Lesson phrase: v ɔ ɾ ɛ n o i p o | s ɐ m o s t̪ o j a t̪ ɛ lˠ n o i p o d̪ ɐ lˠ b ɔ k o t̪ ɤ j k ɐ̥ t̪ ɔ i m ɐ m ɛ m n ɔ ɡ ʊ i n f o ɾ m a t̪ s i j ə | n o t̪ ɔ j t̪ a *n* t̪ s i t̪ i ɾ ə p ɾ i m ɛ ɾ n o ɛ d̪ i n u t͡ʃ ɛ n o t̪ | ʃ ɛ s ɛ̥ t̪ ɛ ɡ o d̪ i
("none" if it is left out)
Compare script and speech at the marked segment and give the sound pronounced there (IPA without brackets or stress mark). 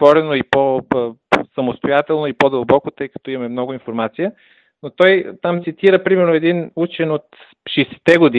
m